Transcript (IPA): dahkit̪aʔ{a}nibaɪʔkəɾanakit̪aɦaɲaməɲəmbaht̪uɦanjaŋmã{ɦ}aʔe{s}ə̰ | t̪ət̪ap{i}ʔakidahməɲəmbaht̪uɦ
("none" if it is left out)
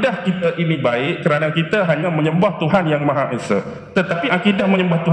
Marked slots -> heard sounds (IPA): i, ɦ, s, i

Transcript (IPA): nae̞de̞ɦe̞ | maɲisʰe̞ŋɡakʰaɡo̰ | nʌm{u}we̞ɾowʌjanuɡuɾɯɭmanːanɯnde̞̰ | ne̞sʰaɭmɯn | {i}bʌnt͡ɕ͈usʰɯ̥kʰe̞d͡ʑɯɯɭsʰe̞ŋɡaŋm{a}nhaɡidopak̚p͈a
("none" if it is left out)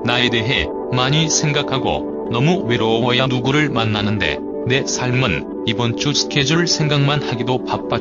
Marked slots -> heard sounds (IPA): u, i, a

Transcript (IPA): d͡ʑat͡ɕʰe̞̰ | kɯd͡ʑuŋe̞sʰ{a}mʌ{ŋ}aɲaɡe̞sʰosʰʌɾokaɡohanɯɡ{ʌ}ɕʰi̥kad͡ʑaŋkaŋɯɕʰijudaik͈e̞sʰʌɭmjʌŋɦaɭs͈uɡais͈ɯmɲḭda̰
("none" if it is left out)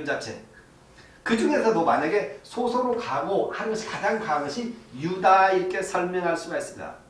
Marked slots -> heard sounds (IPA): ʌ, m, ʌ

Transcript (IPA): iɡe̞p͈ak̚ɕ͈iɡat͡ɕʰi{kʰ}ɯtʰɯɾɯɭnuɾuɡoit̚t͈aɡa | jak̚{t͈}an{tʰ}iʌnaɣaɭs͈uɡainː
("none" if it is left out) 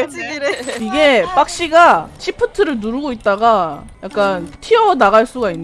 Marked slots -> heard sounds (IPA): pʰ, k͈, tʰ

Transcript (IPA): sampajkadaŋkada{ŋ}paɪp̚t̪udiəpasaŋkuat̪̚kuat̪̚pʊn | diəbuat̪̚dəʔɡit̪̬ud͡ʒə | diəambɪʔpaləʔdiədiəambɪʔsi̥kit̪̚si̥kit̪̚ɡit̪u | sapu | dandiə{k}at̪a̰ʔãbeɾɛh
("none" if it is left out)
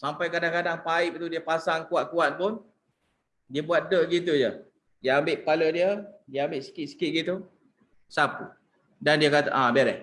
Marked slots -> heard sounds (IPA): ŋ, k

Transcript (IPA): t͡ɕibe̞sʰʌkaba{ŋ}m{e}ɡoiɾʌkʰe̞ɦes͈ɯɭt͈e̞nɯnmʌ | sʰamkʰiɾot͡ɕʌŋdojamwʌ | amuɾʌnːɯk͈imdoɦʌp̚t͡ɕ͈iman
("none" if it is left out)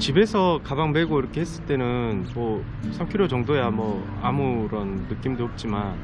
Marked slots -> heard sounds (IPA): ŋ, e

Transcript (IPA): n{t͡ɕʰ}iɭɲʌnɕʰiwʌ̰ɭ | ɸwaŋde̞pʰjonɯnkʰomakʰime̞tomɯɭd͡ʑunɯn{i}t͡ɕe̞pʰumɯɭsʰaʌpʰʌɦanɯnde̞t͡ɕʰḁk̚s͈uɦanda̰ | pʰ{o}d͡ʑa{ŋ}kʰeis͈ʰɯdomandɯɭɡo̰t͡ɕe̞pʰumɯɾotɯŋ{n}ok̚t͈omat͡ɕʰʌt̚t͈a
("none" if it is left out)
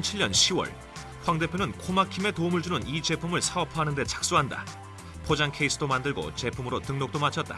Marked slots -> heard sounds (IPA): t͡ɕʰ, i, o, ŋ, n

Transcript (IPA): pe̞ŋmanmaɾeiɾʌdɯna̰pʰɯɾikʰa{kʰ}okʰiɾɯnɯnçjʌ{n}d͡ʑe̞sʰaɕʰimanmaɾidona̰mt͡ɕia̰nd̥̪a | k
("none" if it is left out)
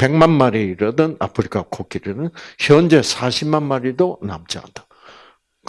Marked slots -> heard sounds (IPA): kʰ, n

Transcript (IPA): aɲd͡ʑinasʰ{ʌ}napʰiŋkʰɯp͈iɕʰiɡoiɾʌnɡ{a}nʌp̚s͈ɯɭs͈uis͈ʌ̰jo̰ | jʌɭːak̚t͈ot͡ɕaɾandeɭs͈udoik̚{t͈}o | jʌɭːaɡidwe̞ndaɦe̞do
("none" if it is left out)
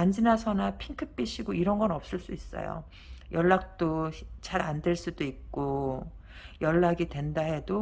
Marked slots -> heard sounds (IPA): ʌ, ʌ, k͈

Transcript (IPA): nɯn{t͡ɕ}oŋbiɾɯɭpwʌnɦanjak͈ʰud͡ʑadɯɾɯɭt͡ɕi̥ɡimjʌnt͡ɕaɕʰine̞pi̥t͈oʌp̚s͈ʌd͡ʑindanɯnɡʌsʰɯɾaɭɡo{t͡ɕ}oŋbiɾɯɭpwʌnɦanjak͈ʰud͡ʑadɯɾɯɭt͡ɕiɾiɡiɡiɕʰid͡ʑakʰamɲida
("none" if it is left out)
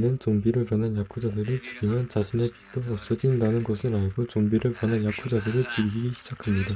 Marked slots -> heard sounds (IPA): t͡ɕ, t͡ɕ

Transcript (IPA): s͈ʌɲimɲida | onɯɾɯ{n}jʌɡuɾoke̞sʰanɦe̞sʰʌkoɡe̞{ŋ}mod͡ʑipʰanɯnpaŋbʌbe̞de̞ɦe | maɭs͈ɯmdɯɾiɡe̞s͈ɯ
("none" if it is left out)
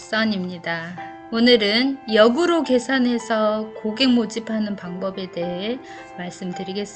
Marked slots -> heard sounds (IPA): n, ŋ

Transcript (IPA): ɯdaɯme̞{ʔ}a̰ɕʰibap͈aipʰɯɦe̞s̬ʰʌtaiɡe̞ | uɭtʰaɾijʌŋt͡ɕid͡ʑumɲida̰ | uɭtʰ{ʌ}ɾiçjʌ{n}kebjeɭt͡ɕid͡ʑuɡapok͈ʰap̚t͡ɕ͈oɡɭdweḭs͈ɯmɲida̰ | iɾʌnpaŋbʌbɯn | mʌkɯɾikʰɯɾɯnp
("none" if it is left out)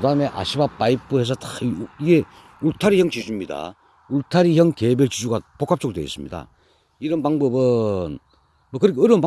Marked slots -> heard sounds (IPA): ʔ, a, ŋ

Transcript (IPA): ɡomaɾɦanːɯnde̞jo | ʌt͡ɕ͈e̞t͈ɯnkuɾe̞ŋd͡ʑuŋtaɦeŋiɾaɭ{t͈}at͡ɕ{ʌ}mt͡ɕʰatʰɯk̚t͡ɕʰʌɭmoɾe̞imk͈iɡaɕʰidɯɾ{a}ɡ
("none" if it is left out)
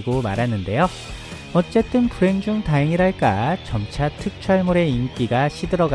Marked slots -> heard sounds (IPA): k͈, ʌ, ʌ

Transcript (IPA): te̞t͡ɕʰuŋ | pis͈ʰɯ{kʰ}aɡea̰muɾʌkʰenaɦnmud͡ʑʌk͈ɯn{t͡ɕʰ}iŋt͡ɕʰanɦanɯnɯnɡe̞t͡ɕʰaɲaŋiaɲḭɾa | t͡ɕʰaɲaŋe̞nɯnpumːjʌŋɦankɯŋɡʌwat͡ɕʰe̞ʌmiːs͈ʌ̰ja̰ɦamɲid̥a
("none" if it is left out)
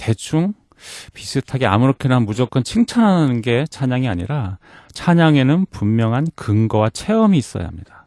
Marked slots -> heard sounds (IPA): tʰ, t͡ɕʰ

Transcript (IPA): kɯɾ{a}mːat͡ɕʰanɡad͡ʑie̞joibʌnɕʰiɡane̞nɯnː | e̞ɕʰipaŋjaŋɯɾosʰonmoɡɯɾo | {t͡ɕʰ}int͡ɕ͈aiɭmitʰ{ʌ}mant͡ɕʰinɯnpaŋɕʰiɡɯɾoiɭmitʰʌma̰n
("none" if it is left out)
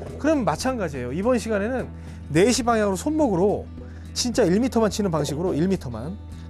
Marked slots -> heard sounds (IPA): ʌ, t͡ɕ, ʌ

